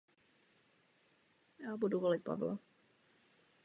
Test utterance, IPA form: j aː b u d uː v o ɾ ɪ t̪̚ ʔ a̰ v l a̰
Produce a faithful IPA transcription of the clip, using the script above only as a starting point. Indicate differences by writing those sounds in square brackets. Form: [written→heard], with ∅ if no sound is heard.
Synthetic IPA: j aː b u d [uː→u] v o [ɾ→l] ɪ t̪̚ [ʔ→p] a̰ v l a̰